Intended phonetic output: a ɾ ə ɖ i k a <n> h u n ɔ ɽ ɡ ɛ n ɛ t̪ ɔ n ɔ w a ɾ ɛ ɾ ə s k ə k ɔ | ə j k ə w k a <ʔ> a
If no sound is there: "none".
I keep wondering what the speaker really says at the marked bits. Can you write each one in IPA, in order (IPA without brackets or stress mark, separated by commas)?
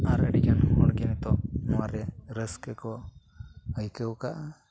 n, ʔ